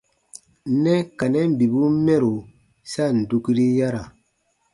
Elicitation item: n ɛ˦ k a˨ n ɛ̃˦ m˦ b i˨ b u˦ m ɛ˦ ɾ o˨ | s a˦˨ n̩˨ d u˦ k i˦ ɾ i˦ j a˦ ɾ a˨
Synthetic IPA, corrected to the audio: n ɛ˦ k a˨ n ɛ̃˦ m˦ b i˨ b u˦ m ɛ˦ ɾ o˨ | s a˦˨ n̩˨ d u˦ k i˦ ɾ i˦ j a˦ ɾ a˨